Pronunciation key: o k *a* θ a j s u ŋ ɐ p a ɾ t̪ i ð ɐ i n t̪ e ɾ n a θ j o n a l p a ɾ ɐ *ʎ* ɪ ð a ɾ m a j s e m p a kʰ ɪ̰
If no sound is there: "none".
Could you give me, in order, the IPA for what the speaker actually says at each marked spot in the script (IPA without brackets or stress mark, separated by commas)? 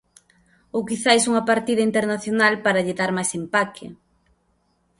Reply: i, ʎ